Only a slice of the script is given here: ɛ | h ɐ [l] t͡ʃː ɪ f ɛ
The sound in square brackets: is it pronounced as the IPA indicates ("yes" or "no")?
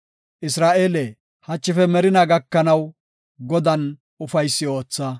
no